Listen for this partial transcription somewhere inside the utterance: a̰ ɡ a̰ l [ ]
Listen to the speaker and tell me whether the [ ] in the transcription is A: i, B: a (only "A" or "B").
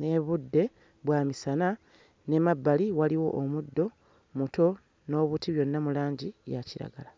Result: B